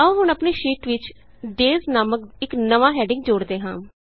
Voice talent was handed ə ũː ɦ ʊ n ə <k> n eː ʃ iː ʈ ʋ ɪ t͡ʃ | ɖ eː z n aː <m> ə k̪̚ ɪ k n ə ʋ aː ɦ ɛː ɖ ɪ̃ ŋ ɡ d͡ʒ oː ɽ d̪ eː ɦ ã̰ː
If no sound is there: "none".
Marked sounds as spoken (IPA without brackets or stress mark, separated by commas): p, m